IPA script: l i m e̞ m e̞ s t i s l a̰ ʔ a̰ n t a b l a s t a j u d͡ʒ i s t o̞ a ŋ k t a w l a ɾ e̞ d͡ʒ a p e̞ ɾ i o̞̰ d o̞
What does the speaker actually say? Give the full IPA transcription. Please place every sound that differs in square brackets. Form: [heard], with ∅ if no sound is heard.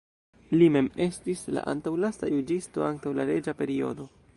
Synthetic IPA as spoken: l i m e̞ m e̞ s t i s l a̰ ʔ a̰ n t a [w] l a s t a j u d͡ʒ i s t o̞ a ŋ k t a w l a ɾ e̞ d͡ʒ a p e̞ ɾ i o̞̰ d o̞